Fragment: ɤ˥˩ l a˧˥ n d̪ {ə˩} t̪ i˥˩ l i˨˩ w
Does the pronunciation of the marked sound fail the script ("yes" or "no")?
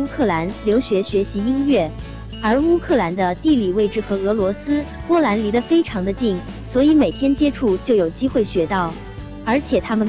yes